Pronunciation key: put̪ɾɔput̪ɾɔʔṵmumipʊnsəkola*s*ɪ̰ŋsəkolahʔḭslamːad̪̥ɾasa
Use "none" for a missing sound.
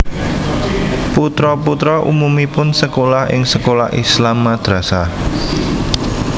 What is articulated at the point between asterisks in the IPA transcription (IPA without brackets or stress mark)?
h